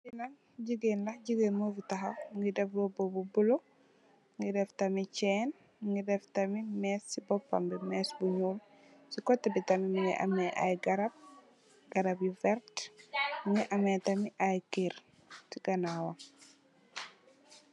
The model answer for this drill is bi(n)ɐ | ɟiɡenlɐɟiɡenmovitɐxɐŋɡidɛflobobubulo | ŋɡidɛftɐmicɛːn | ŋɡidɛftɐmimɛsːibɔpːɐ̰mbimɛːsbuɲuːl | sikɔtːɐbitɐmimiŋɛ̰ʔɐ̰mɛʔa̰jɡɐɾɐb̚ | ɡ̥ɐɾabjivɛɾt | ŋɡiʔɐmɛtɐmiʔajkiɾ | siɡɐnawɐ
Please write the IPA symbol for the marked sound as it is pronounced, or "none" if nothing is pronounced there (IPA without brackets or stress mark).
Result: n